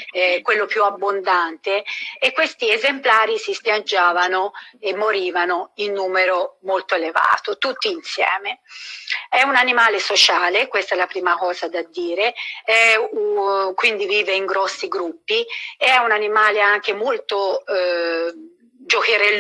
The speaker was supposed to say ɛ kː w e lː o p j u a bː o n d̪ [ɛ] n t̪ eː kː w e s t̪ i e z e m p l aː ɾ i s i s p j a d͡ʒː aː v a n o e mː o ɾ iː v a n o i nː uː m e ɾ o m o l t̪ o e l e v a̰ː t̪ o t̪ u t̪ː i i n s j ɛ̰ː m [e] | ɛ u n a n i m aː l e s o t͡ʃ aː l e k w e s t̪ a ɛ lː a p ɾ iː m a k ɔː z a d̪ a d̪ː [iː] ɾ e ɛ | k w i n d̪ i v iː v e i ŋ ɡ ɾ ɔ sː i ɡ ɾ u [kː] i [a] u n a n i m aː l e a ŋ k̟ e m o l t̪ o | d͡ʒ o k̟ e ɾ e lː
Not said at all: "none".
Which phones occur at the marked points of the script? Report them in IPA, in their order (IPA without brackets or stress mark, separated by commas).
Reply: a, e, iː, pː, ɛ